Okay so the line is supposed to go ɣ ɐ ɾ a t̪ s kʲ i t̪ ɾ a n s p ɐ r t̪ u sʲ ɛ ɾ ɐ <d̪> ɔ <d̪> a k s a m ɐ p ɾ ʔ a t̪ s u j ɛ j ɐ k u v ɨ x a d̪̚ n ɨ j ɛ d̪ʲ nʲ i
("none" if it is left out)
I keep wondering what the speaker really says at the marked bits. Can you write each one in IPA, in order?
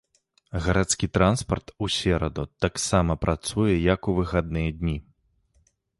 d̪, t̪

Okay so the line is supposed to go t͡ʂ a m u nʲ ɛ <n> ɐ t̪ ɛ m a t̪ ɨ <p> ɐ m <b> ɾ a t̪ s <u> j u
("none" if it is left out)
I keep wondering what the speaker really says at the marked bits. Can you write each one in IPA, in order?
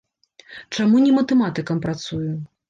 m, k, p, u

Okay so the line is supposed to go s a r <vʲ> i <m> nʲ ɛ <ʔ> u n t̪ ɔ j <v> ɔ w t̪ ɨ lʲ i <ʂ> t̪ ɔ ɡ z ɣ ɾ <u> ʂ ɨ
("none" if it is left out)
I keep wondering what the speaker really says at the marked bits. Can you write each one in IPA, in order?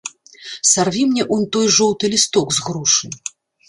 vʲ, m, ʔ, ʐ, s, u

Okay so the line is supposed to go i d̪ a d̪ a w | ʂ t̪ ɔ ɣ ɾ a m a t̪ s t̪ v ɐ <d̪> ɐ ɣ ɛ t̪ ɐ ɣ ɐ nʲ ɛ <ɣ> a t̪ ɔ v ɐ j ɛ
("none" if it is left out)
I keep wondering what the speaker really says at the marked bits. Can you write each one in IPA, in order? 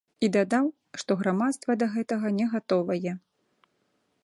d̪, ɣ

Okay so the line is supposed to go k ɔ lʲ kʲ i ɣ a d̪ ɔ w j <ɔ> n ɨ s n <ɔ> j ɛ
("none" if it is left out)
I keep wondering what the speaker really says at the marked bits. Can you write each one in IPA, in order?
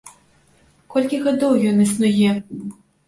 ɔ, u

